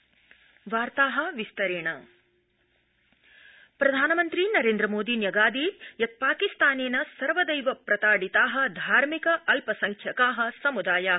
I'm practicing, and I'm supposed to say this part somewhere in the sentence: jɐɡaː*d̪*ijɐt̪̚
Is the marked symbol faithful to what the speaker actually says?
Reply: yes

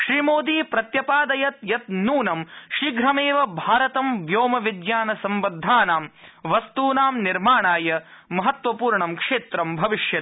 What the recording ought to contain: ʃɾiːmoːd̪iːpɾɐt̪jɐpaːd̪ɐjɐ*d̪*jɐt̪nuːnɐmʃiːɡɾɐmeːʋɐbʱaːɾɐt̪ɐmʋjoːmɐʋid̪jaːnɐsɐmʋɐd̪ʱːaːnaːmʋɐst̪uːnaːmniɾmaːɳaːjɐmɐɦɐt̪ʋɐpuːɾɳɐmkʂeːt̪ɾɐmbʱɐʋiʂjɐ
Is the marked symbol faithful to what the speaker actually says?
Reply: no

